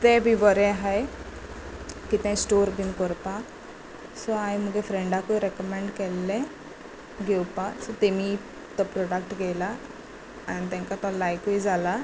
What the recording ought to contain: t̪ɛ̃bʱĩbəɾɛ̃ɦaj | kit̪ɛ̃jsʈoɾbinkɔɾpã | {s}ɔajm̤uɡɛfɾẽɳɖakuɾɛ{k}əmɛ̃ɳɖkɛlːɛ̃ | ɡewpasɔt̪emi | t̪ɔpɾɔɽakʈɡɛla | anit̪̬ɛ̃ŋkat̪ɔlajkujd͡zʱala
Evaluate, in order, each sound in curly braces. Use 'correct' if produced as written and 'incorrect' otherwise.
correct, correct

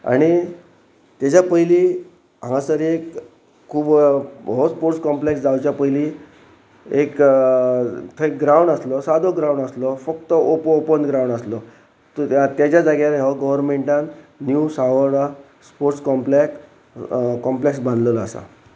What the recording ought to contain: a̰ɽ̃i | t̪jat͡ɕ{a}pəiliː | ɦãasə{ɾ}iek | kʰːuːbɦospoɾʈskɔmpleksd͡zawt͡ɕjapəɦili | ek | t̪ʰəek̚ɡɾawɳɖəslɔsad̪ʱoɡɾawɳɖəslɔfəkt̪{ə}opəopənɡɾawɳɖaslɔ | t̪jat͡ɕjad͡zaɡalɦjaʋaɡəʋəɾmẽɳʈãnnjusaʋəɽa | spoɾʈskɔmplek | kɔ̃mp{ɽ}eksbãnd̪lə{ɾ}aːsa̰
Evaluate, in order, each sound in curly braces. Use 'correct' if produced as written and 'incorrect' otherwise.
correct, correct, correct, incorrect, incorrect

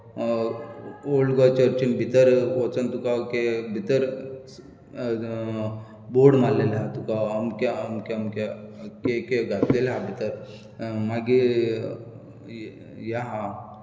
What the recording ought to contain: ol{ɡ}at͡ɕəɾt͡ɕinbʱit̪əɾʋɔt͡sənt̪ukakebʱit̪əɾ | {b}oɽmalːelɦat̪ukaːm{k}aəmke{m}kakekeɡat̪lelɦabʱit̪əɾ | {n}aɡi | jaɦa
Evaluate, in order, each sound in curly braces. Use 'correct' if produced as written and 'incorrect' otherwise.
correct, correct, correct, correct, incorrect

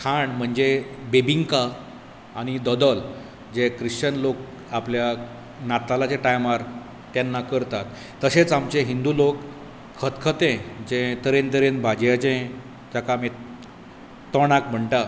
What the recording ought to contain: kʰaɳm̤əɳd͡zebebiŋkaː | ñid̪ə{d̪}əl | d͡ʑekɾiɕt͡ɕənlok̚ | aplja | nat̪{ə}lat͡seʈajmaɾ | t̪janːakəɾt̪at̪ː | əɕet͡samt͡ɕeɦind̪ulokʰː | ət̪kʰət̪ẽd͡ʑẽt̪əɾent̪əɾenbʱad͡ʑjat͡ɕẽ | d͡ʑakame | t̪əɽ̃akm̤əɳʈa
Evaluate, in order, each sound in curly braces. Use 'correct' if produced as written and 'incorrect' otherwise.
correct, incorrect

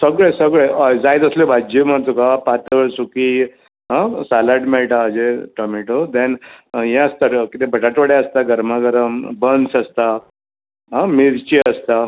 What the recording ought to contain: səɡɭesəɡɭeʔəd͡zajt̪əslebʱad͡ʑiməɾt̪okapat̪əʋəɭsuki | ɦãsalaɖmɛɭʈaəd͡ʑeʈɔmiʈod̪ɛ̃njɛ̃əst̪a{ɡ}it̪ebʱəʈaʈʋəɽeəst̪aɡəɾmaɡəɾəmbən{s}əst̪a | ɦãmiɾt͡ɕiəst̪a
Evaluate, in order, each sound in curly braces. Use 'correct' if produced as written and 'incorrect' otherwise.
incorrect, correct

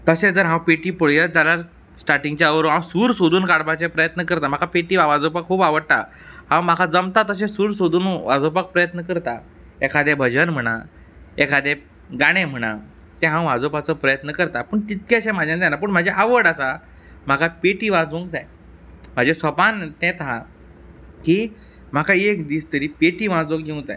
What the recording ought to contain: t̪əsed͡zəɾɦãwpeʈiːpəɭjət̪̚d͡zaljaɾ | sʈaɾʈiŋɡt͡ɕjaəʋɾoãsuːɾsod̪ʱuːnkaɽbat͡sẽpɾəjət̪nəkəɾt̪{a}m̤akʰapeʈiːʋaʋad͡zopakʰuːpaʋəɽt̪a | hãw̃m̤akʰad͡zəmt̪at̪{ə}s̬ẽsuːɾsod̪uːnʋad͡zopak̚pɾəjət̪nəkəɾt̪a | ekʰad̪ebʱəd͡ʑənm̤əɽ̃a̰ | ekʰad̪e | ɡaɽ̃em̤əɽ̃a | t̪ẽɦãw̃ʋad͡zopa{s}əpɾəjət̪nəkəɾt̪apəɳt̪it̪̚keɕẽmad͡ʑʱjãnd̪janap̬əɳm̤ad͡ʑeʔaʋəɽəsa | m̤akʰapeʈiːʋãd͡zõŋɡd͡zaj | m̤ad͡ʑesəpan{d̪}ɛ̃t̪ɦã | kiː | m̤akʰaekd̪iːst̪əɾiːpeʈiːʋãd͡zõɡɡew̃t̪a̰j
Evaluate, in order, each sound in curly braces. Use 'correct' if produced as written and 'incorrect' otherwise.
correct, correct, incorrect, incorrect

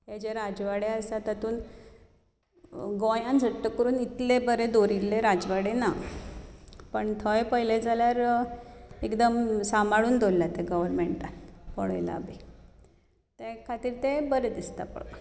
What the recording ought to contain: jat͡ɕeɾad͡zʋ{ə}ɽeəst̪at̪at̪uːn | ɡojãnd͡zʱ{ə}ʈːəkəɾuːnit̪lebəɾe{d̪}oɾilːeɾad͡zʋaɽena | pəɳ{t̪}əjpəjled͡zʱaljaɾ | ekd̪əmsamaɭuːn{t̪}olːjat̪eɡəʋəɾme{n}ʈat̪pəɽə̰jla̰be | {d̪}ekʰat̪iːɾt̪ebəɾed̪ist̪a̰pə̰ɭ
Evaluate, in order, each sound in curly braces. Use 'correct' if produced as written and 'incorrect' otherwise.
incorrect, correct, correct, incorrect, incorrect, incorrect, incorrect

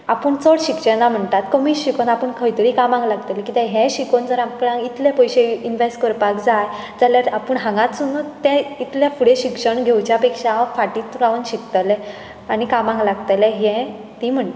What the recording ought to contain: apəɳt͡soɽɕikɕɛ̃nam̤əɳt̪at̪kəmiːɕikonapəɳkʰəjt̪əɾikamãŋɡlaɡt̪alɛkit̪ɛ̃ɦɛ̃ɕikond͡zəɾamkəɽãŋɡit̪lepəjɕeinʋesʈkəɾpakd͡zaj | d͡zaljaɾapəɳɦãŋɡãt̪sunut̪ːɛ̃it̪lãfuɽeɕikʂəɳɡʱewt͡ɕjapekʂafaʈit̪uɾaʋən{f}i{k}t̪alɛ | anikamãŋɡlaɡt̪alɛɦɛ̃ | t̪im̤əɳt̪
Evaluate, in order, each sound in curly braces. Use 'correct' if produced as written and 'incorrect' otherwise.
incorrect, correct

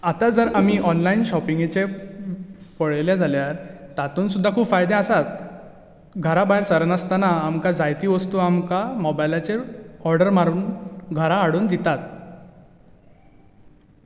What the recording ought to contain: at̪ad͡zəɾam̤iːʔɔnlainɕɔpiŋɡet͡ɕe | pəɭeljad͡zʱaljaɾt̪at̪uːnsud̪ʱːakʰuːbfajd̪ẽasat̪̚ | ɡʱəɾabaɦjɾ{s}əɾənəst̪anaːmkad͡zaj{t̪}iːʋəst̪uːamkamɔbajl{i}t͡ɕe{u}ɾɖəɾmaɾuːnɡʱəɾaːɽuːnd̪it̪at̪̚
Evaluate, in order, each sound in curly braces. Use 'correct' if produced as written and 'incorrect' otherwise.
correct, correct, incorrect, incorrect

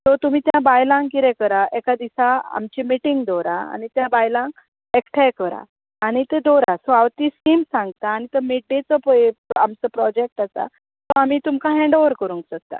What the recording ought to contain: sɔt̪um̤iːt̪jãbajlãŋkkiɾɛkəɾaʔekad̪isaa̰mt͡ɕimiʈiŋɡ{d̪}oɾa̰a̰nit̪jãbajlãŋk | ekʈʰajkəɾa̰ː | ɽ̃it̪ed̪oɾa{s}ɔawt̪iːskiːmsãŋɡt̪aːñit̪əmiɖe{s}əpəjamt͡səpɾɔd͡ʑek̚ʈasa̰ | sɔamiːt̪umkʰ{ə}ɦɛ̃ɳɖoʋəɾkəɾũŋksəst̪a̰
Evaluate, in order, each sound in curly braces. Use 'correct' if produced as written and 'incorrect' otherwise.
correct, correct, incorrect, incorrect

